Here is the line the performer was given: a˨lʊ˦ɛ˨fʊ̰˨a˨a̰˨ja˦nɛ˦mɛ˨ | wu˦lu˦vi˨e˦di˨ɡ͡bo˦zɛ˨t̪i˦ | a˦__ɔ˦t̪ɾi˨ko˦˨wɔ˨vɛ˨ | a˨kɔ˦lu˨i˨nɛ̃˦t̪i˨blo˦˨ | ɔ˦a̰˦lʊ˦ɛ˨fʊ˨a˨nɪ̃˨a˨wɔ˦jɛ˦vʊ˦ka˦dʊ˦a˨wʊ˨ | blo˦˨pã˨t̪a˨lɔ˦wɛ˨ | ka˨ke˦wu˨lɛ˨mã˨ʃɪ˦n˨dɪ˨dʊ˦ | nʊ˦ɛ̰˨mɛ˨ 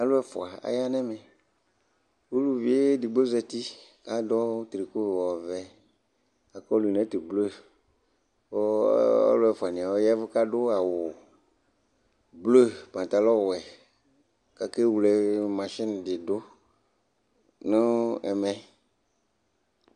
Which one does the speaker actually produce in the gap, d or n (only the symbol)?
d